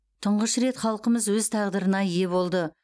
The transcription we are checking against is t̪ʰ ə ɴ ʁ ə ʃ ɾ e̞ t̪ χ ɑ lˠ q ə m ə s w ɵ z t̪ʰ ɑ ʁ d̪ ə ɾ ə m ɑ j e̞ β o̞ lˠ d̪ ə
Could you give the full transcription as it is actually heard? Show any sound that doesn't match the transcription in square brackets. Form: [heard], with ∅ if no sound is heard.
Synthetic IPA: t̪ʰ ə ɴ ʁ ə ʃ ɾ e̞ t̪ χ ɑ lˠ q ə m ə [z] w ɵ z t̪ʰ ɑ ʁ d̪ ə ɾ ə [n] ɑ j e̞ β o̞ lˠ d̪ ə